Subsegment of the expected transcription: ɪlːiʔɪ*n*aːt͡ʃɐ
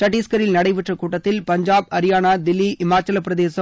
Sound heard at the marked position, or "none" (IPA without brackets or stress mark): m